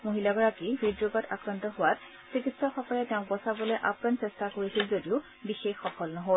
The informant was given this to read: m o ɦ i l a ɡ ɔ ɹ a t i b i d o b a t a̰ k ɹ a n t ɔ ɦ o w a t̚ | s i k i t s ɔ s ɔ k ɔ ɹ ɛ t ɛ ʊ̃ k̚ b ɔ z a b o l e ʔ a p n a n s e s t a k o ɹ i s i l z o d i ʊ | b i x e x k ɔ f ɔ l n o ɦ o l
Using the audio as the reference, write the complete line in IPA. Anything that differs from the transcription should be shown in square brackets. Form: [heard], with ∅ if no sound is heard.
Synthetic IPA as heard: m o ɦ i l a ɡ ɔ ɹ a [k] i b i d o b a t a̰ k ɹ a n t ɔ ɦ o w a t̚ | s i k i t s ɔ [x] ɔ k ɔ ɹ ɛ t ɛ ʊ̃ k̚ b ɔ [s] a b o l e ʔ a p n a n s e s t a k o ɹ i s i l z o d i ʊ | b i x e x [x] ɔ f ɔ l n [ɔ] ɦ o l